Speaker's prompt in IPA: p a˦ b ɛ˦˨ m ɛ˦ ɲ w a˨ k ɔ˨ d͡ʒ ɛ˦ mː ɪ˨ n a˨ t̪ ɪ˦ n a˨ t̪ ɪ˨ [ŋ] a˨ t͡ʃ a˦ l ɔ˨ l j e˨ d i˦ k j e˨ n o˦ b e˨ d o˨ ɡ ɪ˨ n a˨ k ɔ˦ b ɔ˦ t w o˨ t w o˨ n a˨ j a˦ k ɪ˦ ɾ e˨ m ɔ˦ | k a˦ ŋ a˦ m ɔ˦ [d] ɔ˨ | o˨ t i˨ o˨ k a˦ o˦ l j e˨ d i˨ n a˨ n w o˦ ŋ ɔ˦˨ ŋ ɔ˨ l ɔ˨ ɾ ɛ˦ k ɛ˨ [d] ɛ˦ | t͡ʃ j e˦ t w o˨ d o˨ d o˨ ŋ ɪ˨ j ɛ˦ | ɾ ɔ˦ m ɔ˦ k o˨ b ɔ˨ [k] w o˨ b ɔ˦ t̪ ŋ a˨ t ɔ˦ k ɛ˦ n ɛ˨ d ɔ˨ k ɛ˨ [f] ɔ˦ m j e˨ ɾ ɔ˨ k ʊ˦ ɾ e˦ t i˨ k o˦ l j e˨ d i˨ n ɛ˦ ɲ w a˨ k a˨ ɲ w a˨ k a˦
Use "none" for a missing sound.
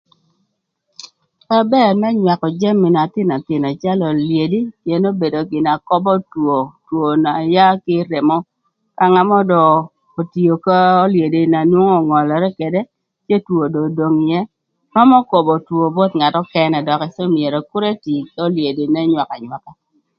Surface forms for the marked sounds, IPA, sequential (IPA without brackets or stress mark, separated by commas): n, d, d, t, s